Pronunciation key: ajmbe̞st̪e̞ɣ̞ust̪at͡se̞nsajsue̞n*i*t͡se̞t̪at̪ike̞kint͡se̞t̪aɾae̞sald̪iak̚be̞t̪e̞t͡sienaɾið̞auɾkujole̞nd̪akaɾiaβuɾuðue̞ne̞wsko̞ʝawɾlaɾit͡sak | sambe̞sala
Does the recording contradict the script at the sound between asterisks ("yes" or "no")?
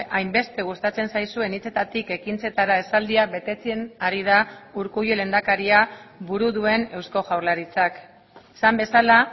no